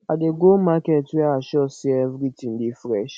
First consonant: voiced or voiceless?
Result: voiced